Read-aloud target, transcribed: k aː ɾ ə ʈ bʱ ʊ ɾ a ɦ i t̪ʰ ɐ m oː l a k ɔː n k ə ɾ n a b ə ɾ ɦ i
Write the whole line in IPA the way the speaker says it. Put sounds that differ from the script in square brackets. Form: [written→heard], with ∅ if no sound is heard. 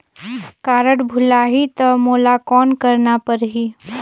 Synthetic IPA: k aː ɾ ə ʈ bʱ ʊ [ɾ→l] a ɦ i [t̪ʰ→t̪] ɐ m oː l a k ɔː n k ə ɾ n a [b→p] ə ɾ ɦ i